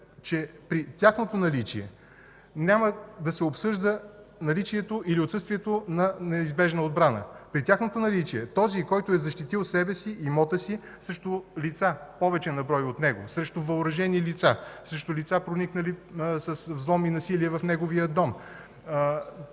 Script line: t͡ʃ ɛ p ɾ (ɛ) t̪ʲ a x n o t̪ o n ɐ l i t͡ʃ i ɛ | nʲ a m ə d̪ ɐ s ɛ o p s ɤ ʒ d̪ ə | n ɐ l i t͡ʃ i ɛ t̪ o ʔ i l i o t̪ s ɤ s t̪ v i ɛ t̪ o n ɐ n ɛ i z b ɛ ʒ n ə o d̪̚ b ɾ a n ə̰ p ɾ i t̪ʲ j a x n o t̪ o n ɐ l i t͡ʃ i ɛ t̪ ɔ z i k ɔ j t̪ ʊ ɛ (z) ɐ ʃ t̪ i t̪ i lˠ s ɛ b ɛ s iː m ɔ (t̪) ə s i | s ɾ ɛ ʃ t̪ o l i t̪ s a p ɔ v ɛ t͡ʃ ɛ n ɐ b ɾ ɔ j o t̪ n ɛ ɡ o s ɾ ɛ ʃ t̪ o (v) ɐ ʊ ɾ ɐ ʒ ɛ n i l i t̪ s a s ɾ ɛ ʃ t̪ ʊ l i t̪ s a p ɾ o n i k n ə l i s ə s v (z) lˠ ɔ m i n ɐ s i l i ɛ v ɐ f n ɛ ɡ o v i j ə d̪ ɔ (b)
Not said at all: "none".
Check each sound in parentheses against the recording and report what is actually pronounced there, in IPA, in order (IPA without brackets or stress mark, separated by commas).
i, z, t̪, v, z, m